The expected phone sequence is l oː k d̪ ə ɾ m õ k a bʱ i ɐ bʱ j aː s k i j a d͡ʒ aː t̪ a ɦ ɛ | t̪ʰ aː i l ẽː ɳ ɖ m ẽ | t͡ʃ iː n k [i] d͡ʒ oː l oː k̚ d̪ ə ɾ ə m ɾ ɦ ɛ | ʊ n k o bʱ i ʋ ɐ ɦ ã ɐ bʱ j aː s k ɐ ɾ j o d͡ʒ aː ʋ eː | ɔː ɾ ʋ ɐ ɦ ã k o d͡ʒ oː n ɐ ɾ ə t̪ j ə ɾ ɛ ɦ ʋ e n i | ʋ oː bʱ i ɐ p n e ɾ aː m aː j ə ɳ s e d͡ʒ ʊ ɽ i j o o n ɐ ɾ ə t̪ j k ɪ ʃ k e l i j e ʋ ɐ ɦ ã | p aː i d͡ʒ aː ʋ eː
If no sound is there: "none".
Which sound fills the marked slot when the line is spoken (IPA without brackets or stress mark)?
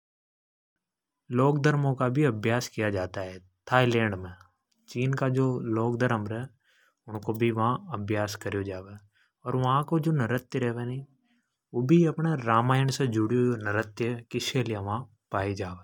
a